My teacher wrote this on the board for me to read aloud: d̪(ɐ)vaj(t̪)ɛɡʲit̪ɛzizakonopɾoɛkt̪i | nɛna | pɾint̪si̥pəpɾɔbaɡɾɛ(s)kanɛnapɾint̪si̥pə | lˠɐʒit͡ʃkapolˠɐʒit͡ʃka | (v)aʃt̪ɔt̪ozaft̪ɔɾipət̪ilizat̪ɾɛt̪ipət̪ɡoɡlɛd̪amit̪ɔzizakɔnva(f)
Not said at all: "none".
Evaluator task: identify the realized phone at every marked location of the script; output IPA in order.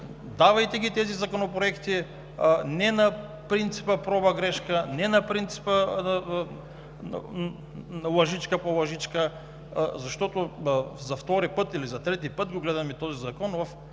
a, t̪, ʃ, z, f

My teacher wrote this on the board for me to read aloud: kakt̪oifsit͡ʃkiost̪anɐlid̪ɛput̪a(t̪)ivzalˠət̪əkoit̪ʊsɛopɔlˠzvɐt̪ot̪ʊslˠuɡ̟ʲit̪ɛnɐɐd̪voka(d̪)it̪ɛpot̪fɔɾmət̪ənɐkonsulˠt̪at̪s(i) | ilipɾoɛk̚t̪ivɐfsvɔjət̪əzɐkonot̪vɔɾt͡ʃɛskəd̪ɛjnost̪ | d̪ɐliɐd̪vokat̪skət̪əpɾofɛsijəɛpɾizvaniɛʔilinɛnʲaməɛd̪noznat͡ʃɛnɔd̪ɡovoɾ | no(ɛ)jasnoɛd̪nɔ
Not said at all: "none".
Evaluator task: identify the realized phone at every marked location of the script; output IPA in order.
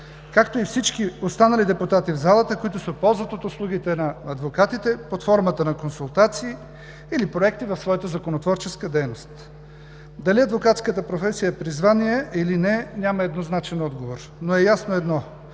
t̪, t̪, iː, ɛ

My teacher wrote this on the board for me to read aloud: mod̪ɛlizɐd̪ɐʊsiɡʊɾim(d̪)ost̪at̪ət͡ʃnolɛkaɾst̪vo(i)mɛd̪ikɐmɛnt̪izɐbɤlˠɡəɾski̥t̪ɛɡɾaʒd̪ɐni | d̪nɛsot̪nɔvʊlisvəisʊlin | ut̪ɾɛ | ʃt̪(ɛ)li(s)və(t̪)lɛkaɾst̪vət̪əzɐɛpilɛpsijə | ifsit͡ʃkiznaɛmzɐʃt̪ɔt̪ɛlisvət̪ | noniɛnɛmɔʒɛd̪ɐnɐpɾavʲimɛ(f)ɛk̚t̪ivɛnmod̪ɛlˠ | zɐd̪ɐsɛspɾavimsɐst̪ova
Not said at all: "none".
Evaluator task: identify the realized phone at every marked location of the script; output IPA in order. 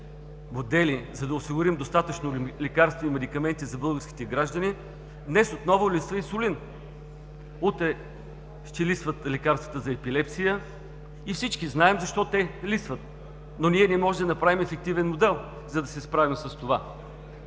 d̪, i, ɛ, s, t̪, f

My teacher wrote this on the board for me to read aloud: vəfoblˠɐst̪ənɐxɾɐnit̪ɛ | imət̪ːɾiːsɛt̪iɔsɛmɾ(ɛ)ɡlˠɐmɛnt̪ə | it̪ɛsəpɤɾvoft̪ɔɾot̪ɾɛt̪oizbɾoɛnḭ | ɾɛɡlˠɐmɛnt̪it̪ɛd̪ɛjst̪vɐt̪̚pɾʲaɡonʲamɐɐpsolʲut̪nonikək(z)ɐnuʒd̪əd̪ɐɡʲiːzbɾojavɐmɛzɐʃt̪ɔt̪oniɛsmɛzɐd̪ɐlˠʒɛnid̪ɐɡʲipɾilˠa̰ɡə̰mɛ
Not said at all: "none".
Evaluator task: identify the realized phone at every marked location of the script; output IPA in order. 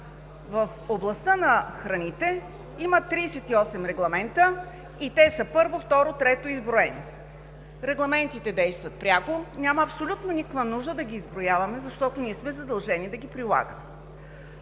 ɛ, v

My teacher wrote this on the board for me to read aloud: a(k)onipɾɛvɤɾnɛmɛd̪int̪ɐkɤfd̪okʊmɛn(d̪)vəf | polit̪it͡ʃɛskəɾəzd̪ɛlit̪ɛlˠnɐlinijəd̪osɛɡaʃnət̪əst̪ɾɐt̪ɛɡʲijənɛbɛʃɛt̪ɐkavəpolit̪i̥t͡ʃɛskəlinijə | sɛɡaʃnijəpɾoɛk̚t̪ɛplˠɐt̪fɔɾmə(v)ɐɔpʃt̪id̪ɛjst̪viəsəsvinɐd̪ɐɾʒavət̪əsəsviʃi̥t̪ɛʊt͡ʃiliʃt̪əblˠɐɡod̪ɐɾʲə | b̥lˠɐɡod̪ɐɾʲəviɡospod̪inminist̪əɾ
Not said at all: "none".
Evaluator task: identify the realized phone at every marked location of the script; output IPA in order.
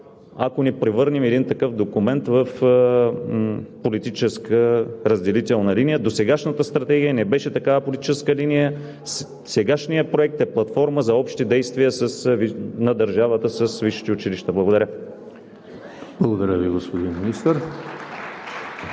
k, t̪, z

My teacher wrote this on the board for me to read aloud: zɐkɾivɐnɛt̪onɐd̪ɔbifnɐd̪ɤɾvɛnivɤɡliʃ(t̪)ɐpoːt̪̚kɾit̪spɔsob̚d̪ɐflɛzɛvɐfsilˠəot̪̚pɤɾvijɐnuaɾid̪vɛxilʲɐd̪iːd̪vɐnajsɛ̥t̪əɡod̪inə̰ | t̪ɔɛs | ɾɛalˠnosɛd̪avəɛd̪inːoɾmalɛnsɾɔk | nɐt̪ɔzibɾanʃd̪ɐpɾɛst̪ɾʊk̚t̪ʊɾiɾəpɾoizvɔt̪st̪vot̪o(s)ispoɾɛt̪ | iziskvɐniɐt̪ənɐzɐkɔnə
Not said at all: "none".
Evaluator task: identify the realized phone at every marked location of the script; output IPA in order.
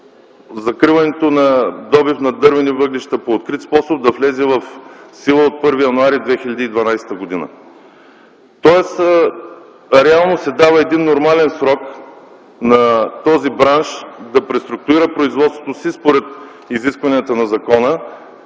t̪, s

